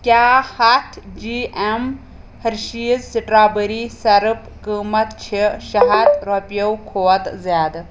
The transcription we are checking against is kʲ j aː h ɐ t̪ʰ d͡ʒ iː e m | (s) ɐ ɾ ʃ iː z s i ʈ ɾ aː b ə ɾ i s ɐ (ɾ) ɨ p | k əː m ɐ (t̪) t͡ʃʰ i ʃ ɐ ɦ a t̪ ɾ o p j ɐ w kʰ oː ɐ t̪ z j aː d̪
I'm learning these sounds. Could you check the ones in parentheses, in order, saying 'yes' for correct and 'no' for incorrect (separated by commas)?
no, yes, yes